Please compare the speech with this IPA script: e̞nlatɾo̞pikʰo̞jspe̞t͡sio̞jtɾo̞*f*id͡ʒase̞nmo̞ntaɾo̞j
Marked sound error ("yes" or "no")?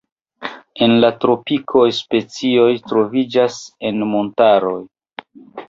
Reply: yes